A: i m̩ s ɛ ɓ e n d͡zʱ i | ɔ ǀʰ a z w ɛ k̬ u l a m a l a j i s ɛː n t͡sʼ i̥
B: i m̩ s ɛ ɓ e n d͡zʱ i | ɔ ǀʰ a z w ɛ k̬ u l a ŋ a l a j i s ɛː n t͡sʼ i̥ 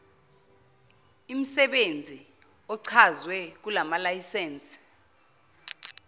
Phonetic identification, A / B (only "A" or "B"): A